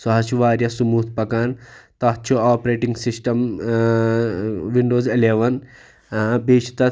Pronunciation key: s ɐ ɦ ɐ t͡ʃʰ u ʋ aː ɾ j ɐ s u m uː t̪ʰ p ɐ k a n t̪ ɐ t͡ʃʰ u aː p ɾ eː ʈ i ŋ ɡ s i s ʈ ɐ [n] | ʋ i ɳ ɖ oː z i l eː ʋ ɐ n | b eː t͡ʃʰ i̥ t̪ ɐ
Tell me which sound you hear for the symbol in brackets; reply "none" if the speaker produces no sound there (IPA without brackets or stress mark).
m